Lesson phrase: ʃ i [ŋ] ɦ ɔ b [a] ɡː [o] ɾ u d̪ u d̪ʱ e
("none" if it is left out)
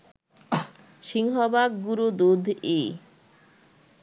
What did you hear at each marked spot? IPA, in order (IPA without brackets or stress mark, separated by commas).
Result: ŋ, a, u